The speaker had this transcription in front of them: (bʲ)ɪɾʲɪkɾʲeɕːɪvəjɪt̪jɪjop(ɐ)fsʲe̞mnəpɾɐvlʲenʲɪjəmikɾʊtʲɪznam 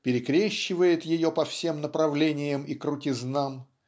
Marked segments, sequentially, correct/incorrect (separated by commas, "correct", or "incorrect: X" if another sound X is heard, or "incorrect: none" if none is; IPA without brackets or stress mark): incorrect: pʲ, correct